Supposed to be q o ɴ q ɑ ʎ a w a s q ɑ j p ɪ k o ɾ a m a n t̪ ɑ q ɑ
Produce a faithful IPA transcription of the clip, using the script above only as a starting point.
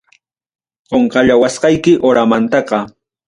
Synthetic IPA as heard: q o ɴ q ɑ ʎ a w a s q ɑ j k ɪ ʔ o ɾ a m a n t̪ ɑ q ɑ